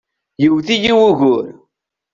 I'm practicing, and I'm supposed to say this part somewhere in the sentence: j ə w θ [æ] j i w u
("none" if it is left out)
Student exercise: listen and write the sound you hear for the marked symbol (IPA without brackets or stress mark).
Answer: i